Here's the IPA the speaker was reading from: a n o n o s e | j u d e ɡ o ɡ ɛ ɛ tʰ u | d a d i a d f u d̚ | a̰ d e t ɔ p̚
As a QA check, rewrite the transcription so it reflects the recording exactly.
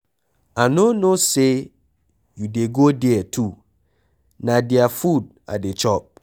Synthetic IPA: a n o n o s e | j u d e ɡ o d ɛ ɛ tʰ u | n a d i a f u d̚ | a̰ d e t͡ʃ ɔ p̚